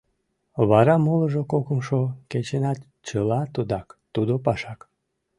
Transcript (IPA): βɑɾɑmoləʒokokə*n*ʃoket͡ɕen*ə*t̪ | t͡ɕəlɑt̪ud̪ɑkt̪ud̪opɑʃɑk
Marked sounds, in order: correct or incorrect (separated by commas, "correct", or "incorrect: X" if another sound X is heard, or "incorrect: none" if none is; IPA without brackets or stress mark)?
incorrect: m, incorrect: ɑ